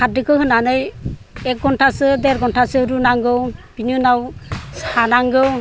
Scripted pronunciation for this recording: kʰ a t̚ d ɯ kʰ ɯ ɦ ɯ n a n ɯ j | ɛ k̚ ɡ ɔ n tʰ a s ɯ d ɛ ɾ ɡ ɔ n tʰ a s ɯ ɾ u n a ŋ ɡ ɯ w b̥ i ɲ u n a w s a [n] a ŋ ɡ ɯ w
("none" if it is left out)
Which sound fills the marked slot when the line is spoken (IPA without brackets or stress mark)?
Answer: n